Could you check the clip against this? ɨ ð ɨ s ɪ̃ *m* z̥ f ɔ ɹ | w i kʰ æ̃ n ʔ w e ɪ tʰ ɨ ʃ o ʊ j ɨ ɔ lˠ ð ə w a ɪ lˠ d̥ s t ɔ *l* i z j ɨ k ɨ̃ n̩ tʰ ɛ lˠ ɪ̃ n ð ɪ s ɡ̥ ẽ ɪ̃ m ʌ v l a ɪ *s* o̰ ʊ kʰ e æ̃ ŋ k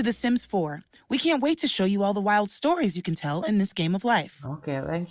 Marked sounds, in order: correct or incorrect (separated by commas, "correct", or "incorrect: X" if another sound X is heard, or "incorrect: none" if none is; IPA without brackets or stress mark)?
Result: correct, incorrect: ɹ, incorrect: f